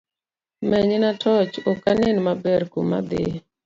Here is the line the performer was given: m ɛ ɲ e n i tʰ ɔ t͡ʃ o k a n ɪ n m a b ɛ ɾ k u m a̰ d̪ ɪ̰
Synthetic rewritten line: m ɛ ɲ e n a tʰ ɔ t͡ʃ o k a n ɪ n m a b ɛ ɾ k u m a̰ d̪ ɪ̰